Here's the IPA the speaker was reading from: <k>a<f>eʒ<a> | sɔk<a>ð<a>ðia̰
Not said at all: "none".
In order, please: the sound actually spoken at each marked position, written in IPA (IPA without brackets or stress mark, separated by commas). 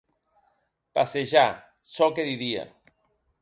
p, s, a, e, i